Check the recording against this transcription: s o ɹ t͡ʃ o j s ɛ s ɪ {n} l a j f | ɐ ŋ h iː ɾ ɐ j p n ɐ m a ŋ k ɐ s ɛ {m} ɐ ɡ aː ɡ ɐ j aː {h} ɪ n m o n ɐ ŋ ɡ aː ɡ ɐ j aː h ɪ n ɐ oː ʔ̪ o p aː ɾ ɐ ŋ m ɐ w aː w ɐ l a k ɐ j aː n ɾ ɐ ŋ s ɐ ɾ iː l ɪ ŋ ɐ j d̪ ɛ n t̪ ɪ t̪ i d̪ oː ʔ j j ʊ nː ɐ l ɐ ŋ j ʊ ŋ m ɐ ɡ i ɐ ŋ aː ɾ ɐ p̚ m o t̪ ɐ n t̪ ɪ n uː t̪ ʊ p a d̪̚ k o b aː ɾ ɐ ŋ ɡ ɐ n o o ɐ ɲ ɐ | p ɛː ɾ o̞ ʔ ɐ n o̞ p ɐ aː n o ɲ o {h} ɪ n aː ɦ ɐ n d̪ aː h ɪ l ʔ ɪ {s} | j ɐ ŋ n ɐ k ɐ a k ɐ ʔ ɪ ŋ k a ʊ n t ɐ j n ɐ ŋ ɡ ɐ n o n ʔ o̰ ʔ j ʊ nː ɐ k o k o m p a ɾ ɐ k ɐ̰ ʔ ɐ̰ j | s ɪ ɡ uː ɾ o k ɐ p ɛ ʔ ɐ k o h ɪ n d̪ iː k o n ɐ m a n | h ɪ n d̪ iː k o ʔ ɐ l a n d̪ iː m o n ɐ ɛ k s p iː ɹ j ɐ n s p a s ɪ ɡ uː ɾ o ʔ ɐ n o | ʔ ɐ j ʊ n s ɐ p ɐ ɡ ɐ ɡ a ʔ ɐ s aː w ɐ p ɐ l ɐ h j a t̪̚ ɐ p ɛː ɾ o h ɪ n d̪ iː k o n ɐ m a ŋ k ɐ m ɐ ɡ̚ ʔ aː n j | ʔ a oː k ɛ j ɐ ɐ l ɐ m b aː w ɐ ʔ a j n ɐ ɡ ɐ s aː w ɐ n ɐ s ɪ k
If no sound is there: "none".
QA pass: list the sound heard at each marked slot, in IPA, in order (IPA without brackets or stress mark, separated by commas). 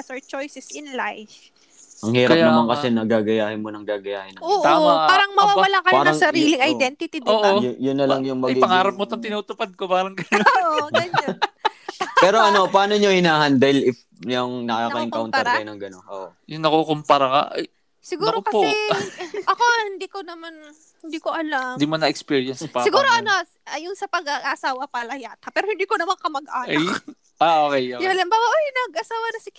n, n, h, h, f